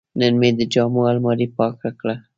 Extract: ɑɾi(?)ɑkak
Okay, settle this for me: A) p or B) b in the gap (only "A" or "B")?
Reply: A